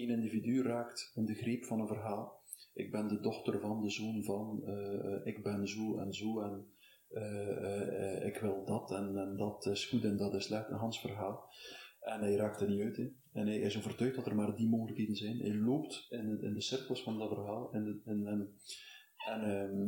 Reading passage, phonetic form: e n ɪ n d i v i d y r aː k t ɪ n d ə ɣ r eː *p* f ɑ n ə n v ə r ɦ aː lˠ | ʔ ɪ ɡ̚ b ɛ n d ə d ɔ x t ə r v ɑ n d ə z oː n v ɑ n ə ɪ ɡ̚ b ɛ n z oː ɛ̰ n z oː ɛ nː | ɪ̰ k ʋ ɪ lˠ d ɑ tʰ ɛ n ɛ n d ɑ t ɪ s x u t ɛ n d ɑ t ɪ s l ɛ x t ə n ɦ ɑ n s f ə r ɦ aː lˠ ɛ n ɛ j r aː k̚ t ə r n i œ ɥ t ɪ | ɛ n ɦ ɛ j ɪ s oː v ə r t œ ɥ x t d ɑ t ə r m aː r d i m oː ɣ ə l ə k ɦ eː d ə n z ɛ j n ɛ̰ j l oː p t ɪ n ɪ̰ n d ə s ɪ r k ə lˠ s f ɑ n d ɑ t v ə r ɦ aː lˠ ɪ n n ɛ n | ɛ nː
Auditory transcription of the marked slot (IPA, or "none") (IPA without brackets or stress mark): p